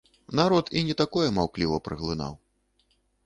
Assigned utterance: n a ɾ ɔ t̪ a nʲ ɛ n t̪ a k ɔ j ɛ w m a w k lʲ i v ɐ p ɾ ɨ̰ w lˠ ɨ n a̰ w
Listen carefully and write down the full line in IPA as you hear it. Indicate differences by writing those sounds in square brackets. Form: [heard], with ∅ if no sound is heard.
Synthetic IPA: n a ɾ ɔ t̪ [i] nʲ ɛ [∅] t̪ a k ɔ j ɛ [∅] m a w k lʲ i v ɐ p ɾ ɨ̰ [ɣ] lˠ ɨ n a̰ w